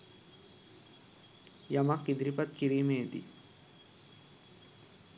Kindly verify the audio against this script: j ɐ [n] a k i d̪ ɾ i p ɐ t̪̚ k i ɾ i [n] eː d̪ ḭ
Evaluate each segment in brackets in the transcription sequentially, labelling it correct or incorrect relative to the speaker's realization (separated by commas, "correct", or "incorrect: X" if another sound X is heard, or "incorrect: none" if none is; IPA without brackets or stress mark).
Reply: incorrect: m, incorrect: m